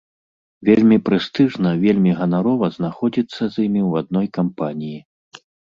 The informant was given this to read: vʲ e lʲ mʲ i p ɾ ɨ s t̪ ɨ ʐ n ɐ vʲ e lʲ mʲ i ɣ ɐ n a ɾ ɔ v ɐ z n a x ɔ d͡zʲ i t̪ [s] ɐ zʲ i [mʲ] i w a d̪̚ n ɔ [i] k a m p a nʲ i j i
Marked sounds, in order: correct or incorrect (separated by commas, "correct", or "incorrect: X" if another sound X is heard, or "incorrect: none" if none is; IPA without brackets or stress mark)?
incorrect: sː, correct, incorrect: j